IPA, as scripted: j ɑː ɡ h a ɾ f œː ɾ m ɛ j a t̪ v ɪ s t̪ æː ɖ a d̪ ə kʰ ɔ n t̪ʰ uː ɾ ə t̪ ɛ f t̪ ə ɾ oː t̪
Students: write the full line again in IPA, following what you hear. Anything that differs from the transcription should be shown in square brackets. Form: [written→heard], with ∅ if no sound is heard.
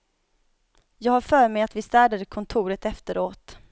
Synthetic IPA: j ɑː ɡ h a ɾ f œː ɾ m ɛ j a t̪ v ɪ s t̪ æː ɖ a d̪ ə kʰ ɔ n t̪ʰ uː ɾ ə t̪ ɛ f t̪ ə ɾ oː t̪